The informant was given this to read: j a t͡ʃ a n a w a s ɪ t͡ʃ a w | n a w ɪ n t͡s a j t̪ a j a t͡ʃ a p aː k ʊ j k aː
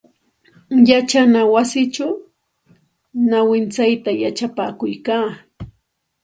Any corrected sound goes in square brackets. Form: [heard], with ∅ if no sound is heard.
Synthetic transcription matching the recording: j a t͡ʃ a n a w a s ɪ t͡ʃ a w | n a w ɪ n t͡s a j t̪ a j a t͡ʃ a p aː k ʊ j k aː